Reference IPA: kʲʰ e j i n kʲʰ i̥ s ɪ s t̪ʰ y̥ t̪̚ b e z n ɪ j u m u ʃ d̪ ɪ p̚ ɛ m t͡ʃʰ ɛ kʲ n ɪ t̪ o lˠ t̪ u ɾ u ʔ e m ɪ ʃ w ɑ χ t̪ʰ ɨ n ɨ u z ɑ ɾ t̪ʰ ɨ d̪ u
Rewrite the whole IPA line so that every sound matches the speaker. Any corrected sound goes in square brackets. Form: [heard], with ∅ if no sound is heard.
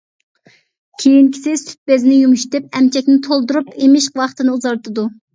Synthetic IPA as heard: kʲʰ e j i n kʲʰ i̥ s ɪ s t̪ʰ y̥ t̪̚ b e z n ɪ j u m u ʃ [t̪] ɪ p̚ ɛ m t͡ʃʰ ɛ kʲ n ɪ [t̪ʰ] o lˠ [d̪] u ɾ u [p] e m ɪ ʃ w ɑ χ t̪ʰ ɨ n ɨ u z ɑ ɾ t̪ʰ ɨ d̪ u